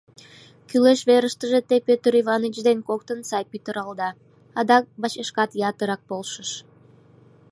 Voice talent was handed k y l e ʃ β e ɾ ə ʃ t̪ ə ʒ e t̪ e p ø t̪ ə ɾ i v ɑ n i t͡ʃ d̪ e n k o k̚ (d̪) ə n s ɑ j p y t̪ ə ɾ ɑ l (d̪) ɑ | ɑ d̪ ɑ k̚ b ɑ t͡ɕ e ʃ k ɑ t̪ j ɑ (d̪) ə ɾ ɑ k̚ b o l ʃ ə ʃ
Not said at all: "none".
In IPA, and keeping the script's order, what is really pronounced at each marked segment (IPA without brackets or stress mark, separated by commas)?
t̪, d̪, t̪